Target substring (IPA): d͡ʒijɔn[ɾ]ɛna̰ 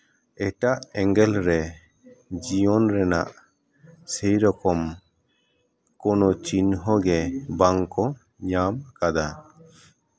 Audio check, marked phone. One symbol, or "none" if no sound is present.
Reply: ɾ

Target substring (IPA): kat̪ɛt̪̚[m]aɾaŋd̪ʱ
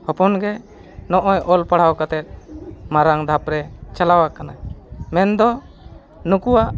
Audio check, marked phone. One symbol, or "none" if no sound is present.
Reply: m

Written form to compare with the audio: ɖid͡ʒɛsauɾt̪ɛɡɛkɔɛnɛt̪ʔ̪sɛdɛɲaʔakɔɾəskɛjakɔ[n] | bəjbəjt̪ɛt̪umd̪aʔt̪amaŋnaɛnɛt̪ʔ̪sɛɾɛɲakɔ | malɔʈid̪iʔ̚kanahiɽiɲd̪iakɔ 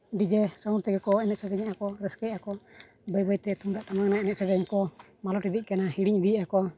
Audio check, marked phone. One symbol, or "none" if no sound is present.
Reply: none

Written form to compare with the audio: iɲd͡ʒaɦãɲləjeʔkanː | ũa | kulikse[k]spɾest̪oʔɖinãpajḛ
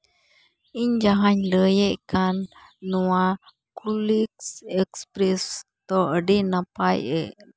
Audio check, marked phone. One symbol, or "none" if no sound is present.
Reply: k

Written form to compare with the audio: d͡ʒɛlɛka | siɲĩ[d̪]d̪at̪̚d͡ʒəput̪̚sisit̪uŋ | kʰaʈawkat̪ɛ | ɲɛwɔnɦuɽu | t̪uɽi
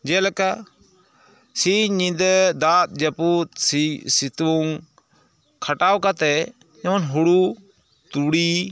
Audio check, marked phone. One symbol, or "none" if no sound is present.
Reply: d̪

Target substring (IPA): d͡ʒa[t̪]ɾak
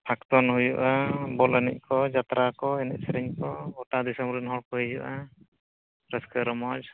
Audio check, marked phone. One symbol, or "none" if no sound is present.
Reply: t̪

